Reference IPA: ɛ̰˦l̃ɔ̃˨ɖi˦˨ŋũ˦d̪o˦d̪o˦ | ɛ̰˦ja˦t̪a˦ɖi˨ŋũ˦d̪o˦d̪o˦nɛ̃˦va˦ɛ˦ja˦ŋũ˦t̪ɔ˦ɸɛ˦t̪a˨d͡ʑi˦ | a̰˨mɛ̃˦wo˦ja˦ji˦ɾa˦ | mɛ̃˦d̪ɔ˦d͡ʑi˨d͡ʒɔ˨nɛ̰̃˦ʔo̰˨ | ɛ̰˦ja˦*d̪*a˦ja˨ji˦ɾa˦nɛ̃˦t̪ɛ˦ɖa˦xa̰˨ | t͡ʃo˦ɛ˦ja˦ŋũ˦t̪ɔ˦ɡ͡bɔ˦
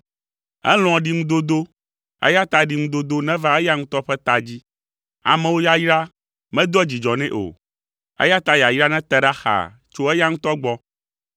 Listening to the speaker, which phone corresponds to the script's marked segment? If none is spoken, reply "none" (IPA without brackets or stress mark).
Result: t̪